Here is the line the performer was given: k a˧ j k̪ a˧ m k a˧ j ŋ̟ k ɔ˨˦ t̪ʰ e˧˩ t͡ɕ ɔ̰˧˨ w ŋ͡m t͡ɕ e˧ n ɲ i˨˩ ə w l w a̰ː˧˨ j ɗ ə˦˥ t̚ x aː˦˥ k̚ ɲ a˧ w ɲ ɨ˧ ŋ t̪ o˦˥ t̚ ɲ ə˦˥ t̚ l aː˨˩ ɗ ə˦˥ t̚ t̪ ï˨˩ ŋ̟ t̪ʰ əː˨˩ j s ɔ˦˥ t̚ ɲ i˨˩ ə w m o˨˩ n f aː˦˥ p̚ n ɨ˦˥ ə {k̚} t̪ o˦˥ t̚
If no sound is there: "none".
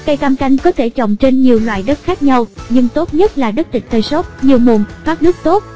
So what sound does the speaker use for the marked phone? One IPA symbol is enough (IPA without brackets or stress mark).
k̚